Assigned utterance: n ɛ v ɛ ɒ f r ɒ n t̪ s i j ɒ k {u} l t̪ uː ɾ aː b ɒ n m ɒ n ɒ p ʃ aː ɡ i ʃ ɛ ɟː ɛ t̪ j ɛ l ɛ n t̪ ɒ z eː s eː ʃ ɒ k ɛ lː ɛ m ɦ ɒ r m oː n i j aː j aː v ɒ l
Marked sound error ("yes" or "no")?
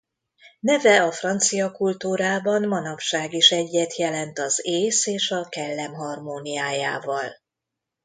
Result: no